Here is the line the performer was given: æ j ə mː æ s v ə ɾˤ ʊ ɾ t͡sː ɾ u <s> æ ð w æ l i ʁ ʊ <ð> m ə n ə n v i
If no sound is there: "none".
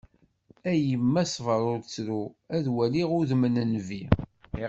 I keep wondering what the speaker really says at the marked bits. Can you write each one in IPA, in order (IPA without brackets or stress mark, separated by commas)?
none, ð